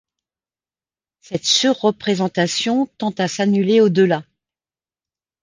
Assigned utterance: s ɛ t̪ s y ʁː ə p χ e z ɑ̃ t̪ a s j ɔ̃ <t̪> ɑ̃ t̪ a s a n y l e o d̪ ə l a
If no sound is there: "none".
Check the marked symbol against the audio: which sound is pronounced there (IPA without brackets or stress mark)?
t̪